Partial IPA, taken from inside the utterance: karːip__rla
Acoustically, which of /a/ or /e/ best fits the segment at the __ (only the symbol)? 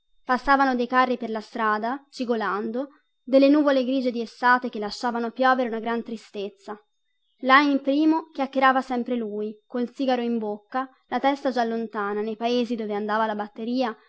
e